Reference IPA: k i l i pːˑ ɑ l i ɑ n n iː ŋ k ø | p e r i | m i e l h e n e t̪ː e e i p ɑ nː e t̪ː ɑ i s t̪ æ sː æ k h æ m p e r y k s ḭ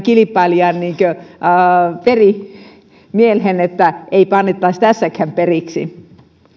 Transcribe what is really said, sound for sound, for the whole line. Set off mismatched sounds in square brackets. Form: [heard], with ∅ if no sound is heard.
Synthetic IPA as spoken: k i l i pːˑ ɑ l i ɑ n n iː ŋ k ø | p e r i | m i e l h e n e t̪ː [æ] e i p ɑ nː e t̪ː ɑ i s t̪ æ sː æ k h æ m p e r [i] k s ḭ